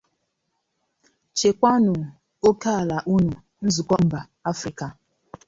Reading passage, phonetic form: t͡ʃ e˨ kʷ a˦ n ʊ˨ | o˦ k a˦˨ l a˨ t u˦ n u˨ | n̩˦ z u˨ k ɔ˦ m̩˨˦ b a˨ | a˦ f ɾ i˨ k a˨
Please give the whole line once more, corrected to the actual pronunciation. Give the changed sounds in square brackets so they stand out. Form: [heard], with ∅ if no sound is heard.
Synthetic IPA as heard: t͡ʃ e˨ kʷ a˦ n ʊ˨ | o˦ k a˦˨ l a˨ [ʔ] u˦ n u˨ | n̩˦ z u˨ k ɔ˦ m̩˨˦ b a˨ | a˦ f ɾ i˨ k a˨